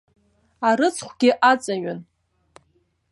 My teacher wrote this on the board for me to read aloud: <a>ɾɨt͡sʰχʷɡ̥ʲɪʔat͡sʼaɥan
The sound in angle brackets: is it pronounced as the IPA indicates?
yes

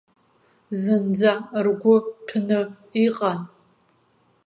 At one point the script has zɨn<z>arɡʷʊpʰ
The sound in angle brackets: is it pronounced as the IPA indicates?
no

